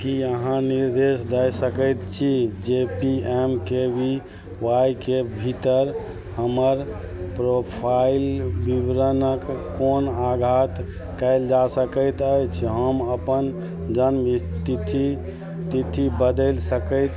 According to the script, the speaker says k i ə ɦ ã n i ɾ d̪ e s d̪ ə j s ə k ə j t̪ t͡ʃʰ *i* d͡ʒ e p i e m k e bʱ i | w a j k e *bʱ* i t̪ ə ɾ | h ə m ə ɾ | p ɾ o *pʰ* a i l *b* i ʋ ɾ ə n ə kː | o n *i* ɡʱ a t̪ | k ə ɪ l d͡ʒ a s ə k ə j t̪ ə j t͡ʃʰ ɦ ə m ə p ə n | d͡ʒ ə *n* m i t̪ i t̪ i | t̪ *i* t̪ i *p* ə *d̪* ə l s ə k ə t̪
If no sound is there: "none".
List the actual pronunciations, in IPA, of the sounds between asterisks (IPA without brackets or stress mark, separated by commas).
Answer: i, bʱ, pʰ, b, a, n, i, b, d̪